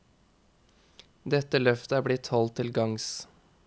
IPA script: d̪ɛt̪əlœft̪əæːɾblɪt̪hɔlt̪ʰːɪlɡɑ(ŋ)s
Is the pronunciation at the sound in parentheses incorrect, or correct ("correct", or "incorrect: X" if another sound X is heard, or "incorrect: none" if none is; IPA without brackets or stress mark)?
correct